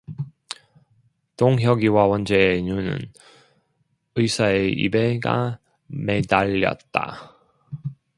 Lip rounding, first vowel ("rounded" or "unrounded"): rounded